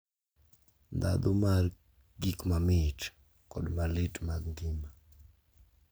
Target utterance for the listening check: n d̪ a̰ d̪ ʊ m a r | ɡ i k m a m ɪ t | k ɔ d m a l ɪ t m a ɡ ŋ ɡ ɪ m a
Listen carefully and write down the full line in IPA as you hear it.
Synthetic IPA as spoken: n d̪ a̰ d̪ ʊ m a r | ɡ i k m a m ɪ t | k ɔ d m a l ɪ t m a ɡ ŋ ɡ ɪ m a